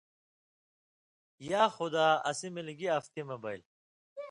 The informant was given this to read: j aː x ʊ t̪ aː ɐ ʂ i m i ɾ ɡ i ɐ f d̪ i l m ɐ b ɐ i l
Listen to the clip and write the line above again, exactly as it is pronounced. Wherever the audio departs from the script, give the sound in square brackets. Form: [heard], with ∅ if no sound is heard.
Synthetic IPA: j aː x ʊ [d̪] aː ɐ [s] i m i [l] ɡ i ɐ f [t̪] i [∅] m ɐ b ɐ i l